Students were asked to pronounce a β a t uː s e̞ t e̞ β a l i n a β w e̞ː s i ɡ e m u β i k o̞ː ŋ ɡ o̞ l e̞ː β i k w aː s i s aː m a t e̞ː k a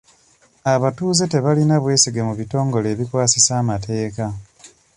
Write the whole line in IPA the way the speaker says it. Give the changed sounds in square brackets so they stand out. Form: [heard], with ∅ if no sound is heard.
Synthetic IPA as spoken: a β a t uː [z] e̞ t e̞ β a l i n a β w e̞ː s i ɡ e m u β i [t] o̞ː ŋ ɡ o̞ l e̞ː β i k w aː s i s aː m a t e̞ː k a